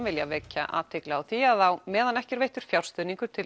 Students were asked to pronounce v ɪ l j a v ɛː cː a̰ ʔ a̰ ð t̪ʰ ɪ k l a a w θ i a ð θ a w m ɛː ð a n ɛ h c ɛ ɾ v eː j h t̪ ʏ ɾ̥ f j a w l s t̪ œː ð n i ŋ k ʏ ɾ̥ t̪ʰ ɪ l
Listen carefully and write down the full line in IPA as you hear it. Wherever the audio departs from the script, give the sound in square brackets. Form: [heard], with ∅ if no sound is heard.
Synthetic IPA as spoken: v ɪ l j a v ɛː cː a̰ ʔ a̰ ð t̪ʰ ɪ k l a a w θ i a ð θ a w m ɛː ð a n ɛ h c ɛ ɾ v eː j h t̪ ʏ ɾ̥ f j a w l s t̪ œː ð n i ŋ k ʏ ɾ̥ t̪ʰ ɪ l